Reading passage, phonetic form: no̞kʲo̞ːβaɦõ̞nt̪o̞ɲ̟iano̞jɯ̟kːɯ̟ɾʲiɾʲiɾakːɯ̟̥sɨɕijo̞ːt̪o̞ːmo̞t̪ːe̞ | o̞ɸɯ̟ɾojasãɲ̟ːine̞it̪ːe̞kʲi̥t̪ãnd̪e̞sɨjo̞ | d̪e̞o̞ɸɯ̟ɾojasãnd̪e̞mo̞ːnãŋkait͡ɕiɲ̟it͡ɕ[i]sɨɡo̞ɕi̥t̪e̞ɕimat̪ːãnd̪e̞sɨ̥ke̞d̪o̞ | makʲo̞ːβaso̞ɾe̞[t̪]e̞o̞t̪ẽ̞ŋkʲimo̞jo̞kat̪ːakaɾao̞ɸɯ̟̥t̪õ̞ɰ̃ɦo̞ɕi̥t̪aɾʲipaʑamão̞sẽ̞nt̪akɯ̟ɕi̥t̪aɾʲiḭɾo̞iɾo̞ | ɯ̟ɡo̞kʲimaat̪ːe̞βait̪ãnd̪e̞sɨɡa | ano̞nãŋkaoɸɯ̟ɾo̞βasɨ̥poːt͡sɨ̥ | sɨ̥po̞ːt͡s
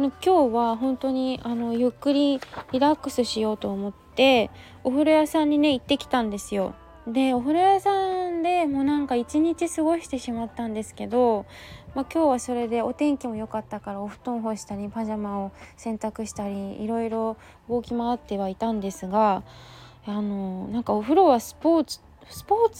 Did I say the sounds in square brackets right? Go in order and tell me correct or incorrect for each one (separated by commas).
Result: correct, incorrect